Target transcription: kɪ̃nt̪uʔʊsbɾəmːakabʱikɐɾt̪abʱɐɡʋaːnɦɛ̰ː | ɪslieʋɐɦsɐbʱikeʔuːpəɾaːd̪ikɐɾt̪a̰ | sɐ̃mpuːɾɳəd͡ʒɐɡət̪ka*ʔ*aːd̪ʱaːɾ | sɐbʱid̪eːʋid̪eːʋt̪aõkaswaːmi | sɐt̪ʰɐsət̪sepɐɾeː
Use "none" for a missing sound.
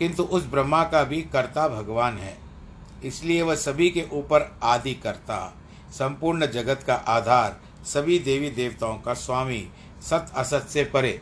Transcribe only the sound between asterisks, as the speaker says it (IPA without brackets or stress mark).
ʔ